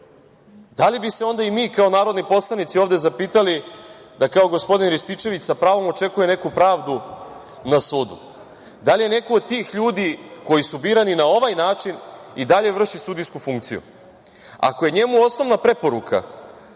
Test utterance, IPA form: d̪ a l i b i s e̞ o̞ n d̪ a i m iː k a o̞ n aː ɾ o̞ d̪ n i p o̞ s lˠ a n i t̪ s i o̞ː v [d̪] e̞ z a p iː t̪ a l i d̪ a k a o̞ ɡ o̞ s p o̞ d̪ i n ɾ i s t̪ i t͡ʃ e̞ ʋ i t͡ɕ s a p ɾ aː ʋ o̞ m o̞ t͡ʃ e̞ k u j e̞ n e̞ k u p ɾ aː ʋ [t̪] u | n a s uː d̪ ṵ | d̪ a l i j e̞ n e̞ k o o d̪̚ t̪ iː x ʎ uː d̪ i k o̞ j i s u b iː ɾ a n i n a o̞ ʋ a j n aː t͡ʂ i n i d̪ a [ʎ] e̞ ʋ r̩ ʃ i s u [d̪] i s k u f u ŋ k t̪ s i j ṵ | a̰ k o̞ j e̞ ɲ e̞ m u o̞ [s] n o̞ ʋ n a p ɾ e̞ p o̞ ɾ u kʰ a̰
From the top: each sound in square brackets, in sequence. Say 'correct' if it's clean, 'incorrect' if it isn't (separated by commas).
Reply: correct, incorrect, correct, correct, correct